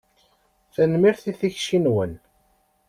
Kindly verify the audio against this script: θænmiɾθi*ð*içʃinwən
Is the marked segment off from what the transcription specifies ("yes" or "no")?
yes